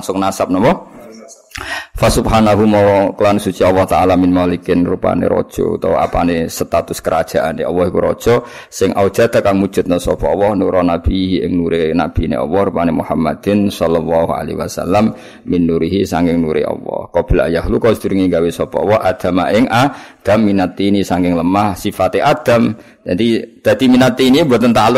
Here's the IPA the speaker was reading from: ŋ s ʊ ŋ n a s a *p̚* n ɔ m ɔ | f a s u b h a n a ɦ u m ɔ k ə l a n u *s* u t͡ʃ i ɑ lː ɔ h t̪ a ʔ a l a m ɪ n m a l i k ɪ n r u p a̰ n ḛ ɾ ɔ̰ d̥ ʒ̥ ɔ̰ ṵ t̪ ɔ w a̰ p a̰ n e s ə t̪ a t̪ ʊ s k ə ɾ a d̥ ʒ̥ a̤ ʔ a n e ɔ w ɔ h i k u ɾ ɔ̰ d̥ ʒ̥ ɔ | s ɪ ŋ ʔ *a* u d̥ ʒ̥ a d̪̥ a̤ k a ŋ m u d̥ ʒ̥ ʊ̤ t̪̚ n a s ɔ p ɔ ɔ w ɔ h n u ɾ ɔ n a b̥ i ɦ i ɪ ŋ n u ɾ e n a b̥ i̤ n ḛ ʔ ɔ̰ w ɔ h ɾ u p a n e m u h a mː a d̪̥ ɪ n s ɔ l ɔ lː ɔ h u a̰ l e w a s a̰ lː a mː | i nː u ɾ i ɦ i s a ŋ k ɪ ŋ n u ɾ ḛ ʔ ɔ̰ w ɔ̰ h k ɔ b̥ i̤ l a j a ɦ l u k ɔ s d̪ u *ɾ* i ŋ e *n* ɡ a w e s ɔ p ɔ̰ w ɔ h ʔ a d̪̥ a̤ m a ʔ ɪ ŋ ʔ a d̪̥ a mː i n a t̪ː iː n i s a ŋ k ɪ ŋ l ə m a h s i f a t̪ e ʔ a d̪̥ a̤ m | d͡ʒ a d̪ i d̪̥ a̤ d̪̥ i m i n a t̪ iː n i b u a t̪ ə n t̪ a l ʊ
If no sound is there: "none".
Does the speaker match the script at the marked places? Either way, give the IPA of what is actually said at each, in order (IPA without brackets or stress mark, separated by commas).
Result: p̚, s, a, ɾ, ŋ